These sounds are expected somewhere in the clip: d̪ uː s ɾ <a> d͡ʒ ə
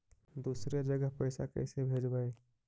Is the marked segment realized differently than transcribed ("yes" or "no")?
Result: yes